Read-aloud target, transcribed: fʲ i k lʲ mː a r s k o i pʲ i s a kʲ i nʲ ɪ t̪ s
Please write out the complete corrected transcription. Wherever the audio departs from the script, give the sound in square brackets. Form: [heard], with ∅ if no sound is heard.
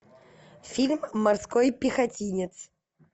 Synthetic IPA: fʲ i [∅] lʲ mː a r s k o [j] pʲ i [x] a [tʲ] i nʲ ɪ t̪ s